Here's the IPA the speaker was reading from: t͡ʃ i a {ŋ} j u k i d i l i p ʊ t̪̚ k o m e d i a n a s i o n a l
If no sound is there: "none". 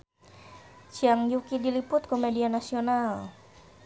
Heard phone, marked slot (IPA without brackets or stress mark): ŋ